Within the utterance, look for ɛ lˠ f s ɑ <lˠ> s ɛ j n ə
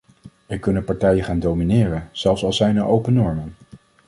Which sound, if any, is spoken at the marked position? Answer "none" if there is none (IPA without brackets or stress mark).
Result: lˠ